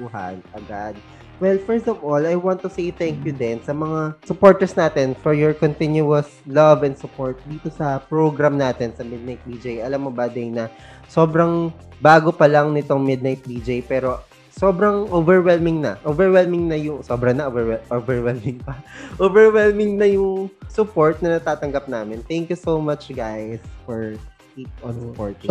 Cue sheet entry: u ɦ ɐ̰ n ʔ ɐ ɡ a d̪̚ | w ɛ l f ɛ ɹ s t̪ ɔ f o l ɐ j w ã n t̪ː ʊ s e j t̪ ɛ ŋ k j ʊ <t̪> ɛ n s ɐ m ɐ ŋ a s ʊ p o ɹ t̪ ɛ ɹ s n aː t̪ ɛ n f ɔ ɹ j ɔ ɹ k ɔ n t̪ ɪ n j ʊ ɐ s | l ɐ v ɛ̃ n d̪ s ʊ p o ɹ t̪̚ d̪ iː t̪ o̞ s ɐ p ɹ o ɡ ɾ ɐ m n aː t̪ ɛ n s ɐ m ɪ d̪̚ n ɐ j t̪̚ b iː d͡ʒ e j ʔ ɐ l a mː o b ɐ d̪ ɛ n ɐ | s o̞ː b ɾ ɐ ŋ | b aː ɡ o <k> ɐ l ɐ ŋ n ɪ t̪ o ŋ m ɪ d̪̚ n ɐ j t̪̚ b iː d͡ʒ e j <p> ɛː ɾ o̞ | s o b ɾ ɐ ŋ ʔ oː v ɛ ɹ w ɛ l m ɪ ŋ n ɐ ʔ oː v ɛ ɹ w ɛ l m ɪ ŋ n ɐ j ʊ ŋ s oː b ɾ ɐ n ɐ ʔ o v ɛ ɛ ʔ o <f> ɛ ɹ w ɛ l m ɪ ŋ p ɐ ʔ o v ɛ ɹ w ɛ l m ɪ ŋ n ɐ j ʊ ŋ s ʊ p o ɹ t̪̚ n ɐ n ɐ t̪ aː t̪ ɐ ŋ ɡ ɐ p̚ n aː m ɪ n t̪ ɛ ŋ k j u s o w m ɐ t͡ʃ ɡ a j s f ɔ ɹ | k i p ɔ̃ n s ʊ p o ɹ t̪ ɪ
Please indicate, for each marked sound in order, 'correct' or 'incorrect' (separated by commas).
incorrect, incorrect, correct, incorrect